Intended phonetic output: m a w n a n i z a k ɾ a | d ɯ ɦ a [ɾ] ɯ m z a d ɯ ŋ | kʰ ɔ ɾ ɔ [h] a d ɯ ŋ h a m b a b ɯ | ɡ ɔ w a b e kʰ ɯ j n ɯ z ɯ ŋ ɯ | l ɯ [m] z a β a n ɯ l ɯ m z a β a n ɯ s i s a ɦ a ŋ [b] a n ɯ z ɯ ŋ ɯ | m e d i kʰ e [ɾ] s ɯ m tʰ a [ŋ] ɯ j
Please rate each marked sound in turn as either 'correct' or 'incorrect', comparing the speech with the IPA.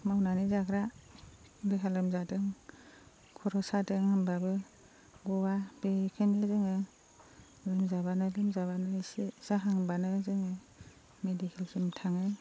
incorrect, incorrect, correct, correct, incorrect, correct

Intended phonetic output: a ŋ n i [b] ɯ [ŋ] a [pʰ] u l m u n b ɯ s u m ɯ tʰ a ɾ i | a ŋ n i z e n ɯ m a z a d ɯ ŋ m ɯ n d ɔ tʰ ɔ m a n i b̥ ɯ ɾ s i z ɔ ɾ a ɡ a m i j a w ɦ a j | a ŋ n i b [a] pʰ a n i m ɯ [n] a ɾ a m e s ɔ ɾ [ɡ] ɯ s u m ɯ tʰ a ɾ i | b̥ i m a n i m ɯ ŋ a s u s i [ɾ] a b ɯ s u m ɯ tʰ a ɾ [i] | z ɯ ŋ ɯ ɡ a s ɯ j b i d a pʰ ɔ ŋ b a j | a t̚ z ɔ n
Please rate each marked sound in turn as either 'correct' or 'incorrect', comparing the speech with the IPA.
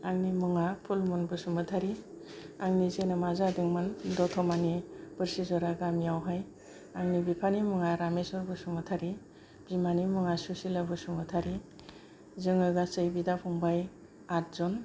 incorrect, correct, correct, incorrect, incorrect, incorrect, incorrect, correct

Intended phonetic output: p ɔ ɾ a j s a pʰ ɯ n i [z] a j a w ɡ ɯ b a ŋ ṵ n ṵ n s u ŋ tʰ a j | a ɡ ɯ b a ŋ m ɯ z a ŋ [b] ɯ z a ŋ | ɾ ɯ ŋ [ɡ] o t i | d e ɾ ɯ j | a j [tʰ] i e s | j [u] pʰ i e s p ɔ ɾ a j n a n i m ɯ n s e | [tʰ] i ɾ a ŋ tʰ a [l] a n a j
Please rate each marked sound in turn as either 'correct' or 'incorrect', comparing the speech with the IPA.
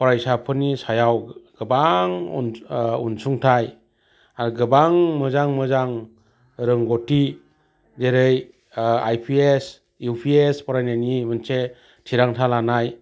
incorrect, incorrect, correct, incorrect, correct, correct, correct

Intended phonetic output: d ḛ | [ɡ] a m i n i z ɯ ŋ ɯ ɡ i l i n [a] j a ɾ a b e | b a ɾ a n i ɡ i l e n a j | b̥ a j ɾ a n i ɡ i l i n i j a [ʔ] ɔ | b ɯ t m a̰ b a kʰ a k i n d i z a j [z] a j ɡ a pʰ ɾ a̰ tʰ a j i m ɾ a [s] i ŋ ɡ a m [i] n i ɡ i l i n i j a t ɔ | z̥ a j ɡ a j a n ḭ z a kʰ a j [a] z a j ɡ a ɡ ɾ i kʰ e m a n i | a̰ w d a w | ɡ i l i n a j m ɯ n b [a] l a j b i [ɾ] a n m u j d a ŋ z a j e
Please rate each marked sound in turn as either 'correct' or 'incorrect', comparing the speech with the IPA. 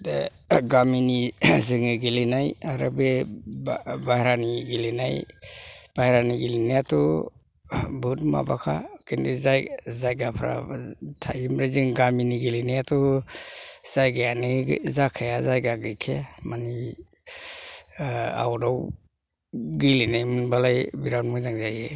correct, correct, incorrect, correct, incorrect, correct, correct, correct, correct

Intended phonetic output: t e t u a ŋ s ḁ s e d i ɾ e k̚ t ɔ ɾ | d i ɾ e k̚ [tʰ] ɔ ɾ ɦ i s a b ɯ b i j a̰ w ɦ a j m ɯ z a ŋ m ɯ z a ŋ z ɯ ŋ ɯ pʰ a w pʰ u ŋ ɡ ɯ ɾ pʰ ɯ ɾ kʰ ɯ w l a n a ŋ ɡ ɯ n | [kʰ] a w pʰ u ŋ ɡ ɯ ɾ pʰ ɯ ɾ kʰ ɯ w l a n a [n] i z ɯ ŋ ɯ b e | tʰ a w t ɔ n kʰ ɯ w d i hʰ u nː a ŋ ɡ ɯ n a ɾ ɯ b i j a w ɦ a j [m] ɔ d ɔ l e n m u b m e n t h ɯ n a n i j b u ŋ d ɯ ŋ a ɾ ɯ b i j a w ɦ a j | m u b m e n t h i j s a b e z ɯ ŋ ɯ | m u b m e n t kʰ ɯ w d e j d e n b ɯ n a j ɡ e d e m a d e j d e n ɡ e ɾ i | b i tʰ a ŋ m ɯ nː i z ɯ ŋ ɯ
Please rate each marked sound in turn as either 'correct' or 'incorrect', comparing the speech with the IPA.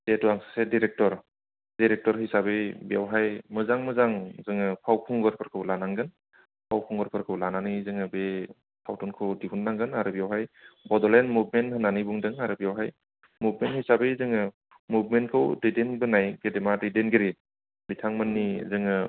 incorrect, incorrect, correct, incorrect

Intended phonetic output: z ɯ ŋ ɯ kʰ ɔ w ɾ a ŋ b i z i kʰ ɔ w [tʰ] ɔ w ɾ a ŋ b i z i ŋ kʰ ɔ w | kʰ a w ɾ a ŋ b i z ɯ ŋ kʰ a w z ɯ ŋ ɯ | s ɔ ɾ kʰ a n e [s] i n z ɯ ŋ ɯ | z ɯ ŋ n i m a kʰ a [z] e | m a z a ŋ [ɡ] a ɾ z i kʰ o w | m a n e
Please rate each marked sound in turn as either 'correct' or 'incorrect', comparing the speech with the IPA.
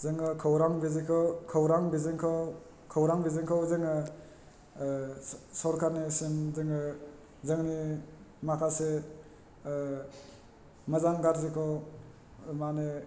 incorrect, correct, incorrect, correct

